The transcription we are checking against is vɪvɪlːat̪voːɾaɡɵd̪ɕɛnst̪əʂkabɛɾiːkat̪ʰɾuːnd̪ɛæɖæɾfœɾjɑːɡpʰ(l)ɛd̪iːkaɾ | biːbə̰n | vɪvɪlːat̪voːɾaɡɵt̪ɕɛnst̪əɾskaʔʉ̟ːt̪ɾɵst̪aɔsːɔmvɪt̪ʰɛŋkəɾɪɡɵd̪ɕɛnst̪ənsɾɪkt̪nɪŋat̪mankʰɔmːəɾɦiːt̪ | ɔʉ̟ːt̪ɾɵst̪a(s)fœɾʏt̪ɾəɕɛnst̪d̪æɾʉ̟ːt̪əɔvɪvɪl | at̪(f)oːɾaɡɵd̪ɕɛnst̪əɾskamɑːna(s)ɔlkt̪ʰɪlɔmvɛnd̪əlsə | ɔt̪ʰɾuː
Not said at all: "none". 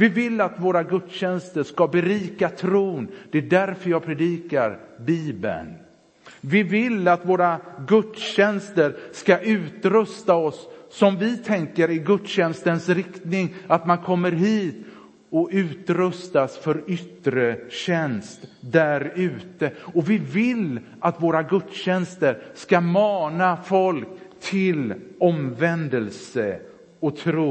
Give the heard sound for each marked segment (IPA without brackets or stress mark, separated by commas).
ɾ, s, v, f